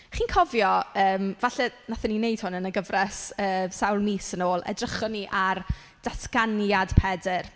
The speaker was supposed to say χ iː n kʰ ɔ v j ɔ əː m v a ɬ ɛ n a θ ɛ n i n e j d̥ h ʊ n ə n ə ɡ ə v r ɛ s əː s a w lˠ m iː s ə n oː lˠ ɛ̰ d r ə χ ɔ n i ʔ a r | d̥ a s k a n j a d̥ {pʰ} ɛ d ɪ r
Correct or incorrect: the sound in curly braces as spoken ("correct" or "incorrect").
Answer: correct